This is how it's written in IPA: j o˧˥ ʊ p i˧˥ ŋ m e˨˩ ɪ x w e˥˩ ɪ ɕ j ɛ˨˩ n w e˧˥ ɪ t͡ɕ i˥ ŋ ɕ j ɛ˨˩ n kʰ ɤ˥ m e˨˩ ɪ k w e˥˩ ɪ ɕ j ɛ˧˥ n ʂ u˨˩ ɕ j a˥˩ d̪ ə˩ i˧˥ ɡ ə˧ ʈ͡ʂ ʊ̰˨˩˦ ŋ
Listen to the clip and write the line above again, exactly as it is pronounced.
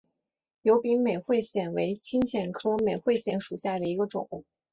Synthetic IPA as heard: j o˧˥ ʊ p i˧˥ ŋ m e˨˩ ɪ x w e˥˩ ɪ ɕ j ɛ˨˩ n w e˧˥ ɪ t͡ɕʰ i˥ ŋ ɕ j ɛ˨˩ n kʰ ɤ˥ m e˨˩ ɪ x w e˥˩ ɪ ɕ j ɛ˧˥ n ʂ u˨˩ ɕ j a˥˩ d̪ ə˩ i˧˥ ɡ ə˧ ʈ͡ʂ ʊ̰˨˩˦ ŋ